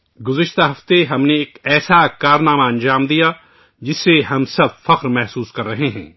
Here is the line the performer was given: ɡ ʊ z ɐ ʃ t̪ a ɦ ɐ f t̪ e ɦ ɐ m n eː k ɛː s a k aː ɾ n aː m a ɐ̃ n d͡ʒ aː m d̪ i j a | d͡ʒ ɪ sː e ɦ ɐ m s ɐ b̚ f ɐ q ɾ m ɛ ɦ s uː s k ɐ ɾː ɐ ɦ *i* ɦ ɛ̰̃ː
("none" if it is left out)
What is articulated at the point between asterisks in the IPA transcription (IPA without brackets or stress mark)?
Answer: e